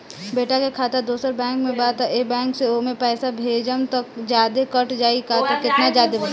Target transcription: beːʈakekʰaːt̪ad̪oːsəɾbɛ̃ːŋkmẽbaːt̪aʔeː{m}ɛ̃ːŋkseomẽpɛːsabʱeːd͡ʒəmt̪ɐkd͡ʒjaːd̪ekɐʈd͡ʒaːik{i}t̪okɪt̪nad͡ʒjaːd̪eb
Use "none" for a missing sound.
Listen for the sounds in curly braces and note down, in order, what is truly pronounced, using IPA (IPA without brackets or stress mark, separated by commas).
b, a